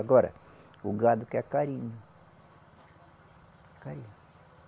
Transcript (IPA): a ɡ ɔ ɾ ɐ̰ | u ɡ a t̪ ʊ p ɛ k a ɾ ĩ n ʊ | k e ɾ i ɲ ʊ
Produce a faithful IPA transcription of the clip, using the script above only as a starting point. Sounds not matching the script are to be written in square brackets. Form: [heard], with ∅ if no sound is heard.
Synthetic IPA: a ɡ ɔ ɾ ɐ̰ | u ɡ a [d̪] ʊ [k] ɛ k a ɾ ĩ [ɲ] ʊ | k [a] ɾ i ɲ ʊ